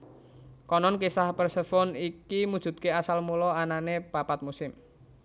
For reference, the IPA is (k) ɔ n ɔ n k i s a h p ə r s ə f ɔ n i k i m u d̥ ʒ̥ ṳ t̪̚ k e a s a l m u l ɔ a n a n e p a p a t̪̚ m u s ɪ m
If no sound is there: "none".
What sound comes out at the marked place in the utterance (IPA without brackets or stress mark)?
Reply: k